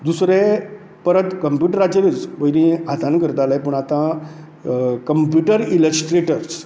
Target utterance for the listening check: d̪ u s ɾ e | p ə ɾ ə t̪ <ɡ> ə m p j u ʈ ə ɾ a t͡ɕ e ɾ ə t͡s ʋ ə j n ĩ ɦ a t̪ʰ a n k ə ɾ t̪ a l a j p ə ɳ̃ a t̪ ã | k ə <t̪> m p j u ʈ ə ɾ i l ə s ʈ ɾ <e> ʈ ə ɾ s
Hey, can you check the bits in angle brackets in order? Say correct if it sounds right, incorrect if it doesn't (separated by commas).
incorrect, incorrect, correct